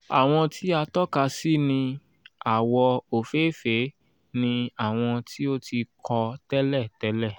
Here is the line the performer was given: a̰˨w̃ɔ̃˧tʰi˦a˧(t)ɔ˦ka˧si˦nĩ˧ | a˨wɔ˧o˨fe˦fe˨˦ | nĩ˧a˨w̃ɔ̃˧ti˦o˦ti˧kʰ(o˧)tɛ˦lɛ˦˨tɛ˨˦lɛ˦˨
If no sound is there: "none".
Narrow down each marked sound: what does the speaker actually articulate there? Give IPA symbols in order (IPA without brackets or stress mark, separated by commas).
t, ɔ˧